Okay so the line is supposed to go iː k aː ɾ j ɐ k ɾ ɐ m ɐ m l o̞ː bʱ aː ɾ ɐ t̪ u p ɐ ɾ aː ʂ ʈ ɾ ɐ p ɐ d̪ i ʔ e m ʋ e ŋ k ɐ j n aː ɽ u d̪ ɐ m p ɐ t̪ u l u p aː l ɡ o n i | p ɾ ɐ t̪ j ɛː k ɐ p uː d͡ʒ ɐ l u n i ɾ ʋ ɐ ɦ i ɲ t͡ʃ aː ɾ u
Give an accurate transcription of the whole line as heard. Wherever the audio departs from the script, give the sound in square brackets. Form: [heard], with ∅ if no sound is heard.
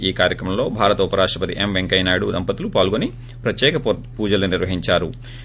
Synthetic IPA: iː k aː ɾ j ɐ k ɾ ɐ m ɐ m l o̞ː bʱ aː ɾ ɐ t̪ u p ɐ ɾ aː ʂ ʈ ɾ ɐ p ɐ [t̪] i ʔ e m ʋ e ŋ k ɐ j n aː ɽ u d̪ ɐ m p ɐ t̪ u l u p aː l ɡ o n i | p ɾ ɐ t̪ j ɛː k ɐ p uː d͡ʒ ɐ l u n i ɾ ʋ ɐ ɦ i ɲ t͡ʃ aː ɾ u